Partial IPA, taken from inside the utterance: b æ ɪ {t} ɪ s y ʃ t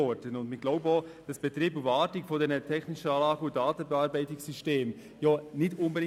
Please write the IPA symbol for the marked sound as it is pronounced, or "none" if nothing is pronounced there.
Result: t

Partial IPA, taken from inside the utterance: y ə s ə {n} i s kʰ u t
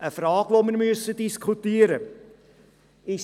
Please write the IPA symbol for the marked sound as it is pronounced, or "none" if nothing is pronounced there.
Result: d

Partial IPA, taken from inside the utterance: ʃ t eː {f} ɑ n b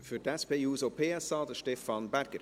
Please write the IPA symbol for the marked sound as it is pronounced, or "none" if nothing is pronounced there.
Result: f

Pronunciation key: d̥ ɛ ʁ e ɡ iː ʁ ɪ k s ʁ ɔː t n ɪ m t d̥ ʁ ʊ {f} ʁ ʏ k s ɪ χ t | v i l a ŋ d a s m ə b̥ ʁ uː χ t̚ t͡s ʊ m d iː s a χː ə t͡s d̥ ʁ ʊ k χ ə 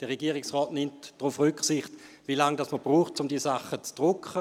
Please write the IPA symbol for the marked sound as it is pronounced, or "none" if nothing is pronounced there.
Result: f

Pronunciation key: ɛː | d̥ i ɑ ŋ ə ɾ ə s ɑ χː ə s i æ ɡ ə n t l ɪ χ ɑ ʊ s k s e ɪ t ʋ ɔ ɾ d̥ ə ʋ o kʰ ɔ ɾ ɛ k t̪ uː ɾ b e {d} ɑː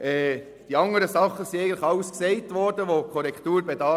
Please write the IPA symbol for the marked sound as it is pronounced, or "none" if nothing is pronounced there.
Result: d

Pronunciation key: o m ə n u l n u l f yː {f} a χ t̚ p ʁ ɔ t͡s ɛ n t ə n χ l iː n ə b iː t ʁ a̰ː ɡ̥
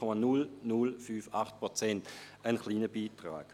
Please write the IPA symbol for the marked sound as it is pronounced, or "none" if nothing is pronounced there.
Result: f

